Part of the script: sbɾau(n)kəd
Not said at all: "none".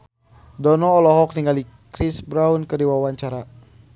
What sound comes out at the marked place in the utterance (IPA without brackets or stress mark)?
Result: n